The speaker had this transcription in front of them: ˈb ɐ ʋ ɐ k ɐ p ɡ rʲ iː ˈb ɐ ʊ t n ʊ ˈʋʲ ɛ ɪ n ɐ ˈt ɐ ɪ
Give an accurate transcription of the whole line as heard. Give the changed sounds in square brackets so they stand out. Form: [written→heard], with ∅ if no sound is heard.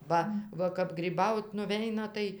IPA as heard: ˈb ɐ ʋ ɐ k ɐ p ɡ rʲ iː ˈb ɐ ʊ t n ʊ ˈʋʲ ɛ ɪ n ɐ ˈt ɐ ɪ